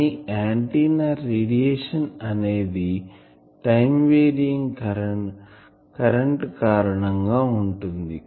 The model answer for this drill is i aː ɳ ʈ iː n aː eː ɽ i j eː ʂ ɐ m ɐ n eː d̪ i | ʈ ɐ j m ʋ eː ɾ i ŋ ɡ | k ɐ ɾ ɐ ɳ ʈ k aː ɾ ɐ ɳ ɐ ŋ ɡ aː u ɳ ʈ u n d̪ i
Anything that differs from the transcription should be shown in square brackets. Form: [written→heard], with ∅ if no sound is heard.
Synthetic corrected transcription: i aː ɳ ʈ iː n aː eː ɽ i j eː ʂ ɐ [m→n] ɐ n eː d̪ i | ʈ ɐ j m ʋ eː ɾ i ŋ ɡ | k ɐ ɾ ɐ ɳ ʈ k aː ɾ ɐ ɳ ɐ ŋ ɡ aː u ɳ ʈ u n d̪ i